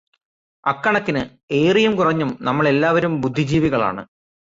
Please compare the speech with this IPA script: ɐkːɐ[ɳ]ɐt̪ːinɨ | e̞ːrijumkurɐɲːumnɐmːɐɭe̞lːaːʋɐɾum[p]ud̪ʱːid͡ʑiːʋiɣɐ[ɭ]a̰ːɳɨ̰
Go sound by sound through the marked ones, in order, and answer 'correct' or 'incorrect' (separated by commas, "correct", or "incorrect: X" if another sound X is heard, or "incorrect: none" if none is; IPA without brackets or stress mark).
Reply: correct, incorrect: b, correct